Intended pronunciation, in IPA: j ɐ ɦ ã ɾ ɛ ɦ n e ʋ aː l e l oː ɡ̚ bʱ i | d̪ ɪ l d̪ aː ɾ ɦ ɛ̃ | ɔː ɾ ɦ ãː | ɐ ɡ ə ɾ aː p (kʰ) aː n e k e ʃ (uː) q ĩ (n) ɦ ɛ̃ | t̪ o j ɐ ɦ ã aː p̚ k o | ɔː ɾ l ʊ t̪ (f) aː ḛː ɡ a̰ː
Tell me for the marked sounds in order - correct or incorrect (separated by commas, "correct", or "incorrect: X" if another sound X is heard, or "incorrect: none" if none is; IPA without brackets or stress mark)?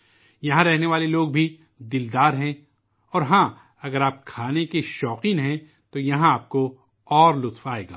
correct, incorrect: ɔː, correct, correct